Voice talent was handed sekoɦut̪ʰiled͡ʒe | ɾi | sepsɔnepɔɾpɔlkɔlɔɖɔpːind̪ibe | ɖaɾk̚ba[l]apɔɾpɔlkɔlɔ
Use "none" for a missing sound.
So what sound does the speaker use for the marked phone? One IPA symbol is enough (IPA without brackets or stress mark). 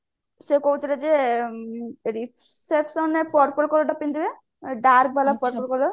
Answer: l